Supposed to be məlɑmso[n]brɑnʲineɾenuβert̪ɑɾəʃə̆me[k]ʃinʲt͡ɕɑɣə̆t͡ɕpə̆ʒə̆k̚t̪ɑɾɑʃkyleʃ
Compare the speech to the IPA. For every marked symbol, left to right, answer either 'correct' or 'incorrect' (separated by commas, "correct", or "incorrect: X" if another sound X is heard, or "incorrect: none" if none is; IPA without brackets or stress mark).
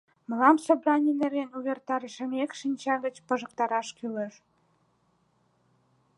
incorrect: none, correct